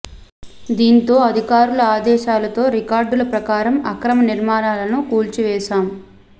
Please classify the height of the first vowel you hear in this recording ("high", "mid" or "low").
high